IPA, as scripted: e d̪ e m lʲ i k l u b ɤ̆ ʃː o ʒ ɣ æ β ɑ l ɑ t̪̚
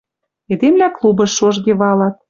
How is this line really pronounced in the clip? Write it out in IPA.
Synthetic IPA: e d̪ e m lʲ æ k l u b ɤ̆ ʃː o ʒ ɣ e β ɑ l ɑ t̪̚